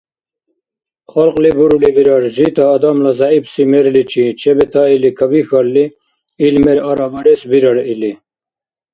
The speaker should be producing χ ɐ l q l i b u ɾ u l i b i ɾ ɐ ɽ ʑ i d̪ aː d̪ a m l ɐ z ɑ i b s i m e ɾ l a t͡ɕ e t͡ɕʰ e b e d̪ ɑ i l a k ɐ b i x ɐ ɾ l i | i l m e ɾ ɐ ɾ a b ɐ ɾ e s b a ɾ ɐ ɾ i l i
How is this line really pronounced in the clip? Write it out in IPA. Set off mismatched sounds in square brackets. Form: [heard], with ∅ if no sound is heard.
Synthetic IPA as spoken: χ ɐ l q l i b u ɾ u l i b i ɾ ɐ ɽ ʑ i [t̪] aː d̪ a m l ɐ z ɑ i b s i m e ɾ l [i] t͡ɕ [i] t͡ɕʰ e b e [t̪] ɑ i l [i] k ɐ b i x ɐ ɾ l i | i l m e ɾ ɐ ɾ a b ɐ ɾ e s b [i] ɾ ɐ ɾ i l i